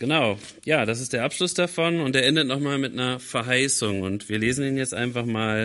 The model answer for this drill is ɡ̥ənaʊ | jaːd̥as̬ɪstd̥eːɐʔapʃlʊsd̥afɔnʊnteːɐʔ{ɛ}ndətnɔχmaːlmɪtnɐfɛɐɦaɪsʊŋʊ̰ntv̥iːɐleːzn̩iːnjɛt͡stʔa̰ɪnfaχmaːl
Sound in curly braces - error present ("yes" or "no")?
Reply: no